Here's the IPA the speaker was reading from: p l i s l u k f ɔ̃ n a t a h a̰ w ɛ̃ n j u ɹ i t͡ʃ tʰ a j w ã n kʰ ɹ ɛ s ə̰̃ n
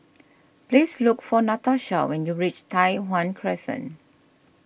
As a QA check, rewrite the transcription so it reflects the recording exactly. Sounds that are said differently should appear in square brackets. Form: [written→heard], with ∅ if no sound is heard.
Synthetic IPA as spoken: p l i s l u k f [ɔ̃→ɔ] n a t a [h→ʃ] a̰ w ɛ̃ n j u ɹ i t͡ʃ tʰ a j w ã n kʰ ɹ ɛ s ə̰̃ n